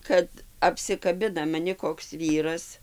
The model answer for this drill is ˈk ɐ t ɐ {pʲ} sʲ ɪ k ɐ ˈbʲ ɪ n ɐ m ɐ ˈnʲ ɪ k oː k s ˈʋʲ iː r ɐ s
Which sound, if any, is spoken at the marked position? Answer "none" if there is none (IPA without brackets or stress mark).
pʲ